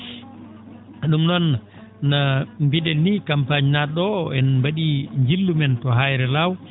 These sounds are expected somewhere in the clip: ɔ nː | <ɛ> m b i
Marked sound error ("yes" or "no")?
yes